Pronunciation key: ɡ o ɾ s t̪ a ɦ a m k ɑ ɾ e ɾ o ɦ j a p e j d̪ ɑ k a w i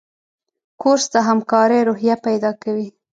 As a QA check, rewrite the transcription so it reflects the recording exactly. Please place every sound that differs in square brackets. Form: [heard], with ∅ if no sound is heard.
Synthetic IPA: [k] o ɾ s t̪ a ɦ a m k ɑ ɾ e ɾ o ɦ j a p [a] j d̪ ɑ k a w i